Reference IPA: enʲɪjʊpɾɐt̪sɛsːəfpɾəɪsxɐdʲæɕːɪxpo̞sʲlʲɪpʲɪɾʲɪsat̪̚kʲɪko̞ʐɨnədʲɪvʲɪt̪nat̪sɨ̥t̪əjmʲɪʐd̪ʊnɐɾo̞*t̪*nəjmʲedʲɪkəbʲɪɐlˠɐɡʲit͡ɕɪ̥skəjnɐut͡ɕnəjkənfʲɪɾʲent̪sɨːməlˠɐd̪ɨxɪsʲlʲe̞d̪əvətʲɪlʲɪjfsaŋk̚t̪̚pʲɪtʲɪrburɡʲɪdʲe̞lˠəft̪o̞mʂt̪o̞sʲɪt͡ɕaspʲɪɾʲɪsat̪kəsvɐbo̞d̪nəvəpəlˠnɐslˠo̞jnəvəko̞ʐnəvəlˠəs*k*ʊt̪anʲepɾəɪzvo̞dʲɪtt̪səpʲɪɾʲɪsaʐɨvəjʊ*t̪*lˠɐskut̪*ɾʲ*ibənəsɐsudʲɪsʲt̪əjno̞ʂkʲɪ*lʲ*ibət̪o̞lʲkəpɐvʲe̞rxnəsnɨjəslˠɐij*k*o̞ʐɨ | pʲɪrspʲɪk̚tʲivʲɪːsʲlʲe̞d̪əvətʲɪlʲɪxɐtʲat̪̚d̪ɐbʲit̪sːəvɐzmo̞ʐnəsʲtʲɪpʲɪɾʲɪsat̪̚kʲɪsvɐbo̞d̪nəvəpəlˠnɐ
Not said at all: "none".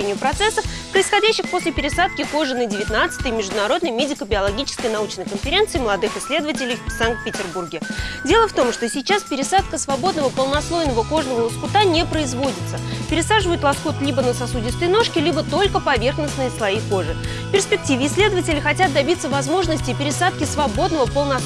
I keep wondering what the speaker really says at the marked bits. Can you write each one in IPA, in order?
d̪, k, t̪, lʲ, lʲ, k

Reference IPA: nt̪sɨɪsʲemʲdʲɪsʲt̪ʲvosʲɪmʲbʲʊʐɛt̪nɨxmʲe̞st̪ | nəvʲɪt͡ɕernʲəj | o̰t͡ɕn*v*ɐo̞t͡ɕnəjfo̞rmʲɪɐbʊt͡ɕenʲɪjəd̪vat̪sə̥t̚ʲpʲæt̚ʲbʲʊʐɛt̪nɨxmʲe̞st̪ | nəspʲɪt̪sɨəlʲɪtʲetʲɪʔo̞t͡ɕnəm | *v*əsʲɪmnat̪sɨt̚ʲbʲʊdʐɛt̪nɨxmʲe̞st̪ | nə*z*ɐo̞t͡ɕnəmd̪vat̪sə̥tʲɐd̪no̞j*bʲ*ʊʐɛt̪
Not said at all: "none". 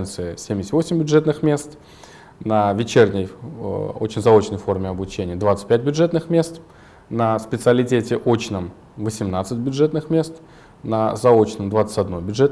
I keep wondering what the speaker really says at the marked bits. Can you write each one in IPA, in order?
z, v, z, bʲ

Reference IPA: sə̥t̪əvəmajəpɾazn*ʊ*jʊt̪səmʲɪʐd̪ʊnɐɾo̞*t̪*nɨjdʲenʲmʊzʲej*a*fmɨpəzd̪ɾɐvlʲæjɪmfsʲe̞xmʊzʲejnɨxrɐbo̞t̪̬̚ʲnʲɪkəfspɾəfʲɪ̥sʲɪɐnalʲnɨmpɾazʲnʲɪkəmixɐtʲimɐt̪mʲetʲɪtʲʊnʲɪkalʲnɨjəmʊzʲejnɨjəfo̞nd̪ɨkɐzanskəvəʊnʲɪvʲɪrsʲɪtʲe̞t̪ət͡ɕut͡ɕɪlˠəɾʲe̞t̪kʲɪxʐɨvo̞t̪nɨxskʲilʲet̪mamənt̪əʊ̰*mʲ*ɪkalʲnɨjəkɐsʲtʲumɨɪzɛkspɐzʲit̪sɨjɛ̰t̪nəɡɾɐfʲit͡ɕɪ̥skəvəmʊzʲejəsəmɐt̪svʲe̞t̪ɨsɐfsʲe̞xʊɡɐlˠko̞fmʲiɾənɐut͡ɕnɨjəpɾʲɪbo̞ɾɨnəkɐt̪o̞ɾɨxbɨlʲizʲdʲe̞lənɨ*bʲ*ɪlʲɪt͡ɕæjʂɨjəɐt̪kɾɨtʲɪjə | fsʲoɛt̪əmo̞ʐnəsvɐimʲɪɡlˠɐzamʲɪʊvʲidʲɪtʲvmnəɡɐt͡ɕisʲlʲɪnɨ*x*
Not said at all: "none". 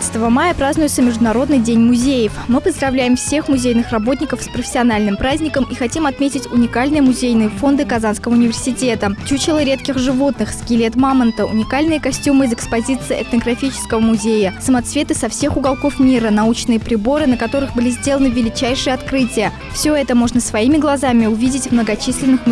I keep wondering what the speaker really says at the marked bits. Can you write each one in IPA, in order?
ʊ, d̪, ə, nʲ, vʲ, x

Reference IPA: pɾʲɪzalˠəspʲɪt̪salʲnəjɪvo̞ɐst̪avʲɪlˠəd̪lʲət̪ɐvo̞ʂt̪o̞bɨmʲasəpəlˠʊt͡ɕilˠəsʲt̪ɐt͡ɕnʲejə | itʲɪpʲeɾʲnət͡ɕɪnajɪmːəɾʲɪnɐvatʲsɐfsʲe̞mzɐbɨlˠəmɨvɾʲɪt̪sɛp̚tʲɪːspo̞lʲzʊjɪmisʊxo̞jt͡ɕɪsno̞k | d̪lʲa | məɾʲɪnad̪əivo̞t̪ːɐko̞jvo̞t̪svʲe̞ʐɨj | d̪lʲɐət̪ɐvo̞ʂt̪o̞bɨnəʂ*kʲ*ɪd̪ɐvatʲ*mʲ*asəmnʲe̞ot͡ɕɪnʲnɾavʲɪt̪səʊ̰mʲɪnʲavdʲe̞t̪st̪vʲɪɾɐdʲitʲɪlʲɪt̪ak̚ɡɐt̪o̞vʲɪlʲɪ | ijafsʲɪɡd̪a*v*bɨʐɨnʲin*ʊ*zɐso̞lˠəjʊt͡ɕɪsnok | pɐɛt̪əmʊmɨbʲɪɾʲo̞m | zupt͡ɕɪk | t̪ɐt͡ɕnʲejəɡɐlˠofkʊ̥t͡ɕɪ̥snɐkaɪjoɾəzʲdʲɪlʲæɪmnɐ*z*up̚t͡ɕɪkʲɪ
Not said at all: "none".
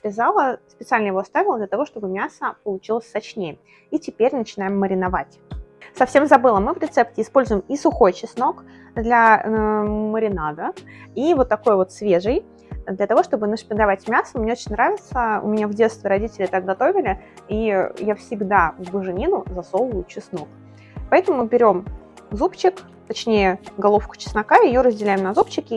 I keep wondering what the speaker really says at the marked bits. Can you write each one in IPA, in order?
pʲ, mʲ, v, ʊ, z

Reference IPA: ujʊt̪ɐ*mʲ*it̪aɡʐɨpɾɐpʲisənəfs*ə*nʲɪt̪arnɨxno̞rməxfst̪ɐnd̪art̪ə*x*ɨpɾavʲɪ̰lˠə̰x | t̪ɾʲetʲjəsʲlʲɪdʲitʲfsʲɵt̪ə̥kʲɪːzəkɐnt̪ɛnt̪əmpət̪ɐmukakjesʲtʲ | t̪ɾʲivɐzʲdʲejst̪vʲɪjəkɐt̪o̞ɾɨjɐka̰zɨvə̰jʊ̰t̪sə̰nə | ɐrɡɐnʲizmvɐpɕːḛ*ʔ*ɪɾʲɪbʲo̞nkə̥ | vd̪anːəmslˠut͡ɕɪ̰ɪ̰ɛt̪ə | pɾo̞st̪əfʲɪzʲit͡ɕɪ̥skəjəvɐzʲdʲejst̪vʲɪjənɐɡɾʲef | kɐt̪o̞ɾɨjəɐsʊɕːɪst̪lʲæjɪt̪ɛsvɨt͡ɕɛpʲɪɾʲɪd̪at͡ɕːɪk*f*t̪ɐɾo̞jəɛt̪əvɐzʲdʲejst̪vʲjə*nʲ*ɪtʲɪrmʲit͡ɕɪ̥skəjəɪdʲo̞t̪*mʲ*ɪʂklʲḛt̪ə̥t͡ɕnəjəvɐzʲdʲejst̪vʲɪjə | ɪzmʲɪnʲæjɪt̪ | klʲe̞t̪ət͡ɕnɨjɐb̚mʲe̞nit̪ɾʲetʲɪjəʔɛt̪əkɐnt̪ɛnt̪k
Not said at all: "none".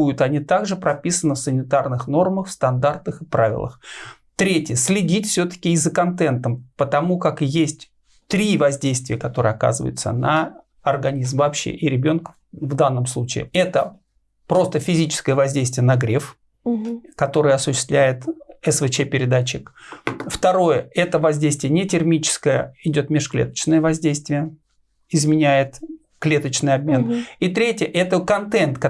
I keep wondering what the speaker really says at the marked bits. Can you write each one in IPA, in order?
nʲ, ə, x, ʔ, f, nʲ, mʲ

